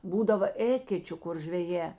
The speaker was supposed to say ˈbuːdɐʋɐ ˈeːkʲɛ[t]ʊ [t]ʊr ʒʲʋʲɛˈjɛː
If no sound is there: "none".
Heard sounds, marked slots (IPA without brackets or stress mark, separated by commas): t͡ʃʲ, k